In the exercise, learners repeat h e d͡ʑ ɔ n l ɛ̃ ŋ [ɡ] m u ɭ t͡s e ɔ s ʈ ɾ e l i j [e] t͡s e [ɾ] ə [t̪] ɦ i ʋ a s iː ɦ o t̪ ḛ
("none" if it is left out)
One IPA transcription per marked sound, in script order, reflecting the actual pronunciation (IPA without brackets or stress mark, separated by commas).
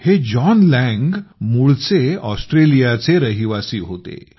ɡ, a, ɾ, none